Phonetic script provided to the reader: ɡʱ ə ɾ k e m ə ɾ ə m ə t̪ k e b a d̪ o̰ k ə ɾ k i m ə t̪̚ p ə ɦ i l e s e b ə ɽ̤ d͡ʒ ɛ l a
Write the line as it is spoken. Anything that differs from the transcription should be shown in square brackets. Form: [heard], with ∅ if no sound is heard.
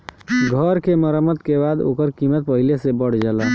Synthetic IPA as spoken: ɡʱ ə ɾ k e m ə ɾ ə m ə t̪ k e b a d̪ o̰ k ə ɾ k i m ə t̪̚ p ə ɦ i l e s e b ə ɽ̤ d͡ʒ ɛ l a